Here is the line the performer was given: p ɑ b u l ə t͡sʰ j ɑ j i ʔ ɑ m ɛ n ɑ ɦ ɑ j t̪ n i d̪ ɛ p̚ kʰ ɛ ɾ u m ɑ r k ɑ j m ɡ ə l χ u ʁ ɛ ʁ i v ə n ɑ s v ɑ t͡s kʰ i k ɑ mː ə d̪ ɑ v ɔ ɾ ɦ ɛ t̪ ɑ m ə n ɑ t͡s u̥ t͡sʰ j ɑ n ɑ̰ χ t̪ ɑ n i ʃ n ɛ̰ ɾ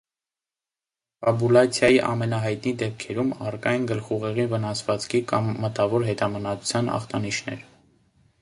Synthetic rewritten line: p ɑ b u l ɑ t͡sʰ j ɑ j i ʔ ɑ m ɛ n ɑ ɦ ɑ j t̪ n i d̪ ɛ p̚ kʰ ɛ ɾ u m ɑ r k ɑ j n ɡ ə l χ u ʁ ɛ ʁ i v ə n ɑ s v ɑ t͡s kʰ i k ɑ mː ə t̪ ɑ v ɔ ɾ ɦ ɛ t̪ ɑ m ə n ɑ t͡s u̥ t͡sʰ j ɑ n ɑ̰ χ t̪ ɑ n i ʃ n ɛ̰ ɾ